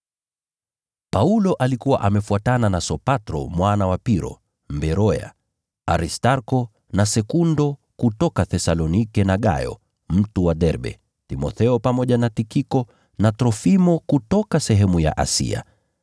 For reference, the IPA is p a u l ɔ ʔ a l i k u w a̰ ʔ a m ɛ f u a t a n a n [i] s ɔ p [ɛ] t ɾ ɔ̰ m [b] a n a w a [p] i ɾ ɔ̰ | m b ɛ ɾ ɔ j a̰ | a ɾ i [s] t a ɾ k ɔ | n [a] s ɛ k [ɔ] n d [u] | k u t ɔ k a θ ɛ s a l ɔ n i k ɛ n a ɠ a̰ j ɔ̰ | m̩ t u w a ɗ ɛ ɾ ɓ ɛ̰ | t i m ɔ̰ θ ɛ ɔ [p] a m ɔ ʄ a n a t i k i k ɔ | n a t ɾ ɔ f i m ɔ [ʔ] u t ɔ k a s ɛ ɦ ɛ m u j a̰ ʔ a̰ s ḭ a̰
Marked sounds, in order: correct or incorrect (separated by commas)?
incorrect, incorrect, incorrect, correct, correct, correct, incorrect, incorrect, correct, incorrect